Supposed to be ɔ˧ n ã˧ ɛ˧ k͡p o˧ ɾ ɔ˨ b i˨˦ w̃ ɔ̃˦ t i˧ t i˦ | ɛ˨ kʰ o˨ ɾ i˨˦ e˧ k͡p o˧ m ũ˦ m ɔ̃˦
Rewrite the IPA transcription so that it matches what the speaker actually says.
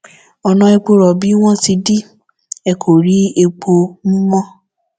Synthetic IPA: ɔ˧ n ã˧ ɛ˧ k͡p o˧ ɾ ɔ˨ b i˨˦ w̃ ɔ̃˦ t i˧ d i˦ | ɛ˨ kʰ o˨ ɾ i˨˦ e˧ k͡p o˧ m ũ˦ m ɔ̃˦